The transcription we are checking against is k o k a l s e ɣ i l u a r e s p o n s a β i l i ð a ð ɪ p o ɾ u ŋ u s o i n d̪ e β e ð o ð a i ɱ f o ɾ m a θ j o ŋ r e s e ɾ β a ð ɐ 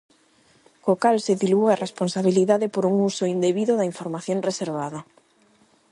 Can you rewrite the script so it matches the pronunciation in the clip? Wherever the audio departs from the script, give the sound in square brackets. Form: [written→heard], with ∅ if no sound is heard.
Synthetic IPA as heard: k o k a l s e [ɣ→ð] i l u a r e s p o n s a β i l i ð a ð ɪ p o ɾ u ŋ u s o i n d̪ e β [e→i] ð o ð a i ɱ f o ɾ m a θ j o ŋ r e s e ɾ β a ð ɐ